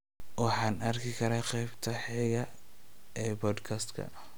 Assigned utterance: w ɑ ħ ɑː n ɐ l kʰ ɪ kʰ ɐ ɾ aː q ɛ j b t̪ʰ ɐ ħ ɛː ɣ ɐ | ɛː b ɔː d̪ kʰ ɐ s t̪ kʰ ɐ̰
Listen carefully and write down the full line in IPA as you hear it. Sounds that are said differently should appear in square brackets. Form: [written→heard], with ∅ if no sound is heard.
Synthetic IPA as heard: w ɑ ħ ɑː n ɐ [l→r] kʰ ɪ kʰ ɐ ɾ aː q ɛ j b t̪ʰ ɐ ħ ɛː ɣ ɐ | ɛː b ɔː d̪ kʰ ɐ s t̪ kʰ ɐ̰